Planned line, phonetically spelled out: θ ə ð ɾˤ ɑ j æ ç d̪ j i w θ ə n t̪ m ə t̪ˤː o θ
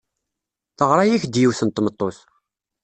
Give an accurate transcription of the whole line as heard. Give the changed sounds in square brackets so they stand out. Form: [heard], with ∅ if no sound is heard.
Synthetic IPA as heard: θ ə [ʁ] ɾˤ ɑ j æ ç d̪ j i w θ ə n t̪ m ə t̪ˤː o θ